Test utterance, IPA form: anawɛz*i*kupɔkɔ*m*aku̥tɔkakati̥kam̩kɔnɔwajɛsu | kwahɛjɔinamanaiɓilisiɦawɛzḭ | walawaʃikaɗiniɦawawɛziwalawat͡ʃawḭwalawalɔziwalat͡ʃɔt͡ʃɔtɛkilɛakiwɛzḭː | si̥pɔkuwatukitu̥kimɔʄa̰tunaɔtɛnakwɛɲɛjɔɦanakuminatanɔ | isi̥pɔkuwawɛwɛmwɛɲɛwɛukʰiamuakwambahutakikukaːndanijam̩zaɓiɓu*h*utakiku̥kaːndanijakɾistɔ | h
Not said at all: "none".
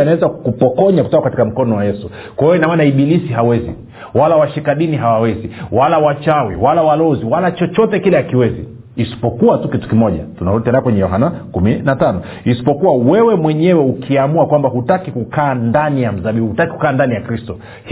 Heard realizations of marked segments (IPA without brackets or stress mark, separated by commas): a, ɲ, h